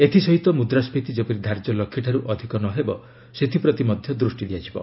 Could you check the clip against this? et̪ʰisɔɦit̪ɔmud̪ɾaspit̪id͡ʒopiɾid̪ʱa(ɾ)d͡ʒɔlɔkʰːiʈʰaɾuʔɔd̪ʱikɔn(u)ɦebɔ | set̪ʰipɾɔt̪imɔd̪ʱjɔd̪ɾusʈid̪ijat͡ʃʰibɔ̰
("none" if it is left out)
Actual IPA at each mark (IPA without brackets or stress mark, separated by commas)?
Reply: ɾ, ɔ